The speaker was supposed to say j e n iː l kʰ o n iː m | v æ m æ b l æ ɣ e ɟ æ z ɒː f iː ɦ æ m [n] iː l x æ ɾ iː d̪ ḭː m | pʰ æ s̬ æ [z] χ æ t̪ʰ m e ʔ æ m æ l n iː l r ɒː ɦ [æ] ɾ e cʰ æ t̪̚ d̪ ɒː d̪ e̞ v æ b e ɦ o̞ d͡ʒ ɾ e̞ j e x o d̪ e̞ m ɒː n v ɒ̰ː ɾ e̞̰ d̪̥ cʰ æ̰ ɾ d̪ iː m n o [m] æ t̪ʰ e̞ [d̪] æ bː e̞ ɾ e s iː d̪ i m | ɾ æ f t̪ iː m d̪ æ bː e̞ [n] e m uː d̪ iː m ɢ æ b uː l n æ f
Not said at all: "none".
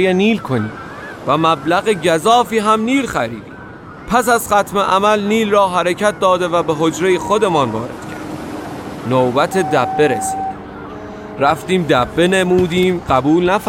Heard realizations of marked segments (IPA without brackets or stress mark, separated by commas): n, z, æ, b, d̪, n